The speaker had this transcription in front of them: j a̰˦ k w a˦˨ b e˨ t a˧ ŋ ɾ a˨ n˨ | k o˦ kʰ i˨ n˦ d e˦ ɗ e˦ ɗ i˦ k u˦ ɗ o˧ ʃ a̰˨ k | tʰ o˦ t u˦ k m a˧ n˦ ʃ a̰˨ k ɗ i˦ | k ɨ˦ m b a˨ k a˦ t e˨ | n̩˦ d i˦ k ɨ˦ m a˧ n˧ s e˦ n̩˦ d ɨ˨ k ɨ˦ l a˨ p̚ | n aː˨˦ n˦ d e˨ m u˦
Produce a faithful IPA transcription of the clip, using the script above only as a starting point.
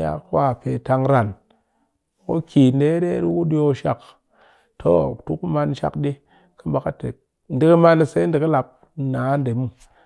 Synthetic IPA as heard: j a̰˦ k w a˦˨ p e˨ t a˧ ŋ ɾ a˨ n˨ | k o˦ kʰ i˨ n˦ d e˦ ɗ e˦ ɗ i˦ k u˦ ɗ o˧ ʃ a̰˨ k | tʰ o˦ t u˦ k m a˧ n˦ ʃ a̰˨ k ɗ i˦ | k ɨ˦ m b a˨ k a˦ t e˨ | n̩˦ d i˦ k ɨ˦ m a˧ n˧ s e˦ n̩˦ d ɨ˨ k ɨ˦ l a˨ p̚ | n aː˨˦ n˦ d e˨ m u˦